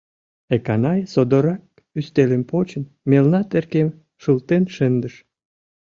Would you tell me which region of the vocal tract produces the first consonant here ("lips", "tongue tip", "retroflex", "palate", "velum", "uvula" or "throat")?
velum